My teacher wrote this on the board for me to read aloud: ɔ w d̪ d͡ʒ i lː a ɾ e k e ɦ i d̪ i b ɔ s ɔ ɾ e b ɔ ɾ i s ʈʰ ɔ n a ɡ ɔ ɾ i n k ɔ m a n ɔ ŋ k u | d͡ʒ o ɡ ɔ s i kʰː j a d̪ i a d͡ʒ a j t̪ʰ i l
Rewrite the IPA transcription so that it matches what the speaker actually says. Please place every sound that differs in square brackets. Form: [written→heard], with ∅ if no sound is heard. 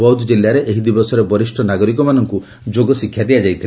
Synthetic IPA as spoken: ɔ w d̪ d͡ʒ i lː a ɾ e [k→ʔ] e ɦ i d̪ i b ɔ s ɔ ɾ e b ɔ ɾ i s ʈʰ ɔ n a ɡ ɔ ɾ i [n→∅] k ɔ m a n ɔ ŋ k u | d͡ʒ o ɡ ɔ s i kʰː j a d̪ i a d͡ʒ a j t̪ʰ i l